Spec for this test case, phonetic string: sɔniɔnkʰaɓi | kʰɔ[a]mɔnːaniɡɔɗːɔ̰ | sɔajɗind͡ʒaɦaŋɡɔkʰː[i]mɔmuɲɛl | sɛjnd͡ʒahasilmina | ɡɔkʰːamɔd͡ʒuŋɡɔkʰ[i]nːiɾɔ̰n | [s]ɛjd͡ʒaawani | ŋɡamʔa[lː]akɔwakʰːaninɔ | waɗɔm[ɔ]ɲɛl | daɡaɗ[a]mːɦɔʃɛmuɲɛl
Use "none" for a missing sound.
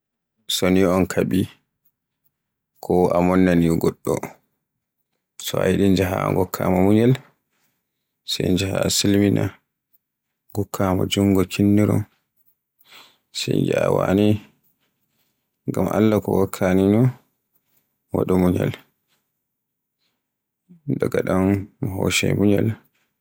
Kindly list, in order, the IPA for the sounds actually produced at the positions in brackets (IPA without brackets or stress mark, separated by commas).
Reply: a, a, i, s, lː, u, a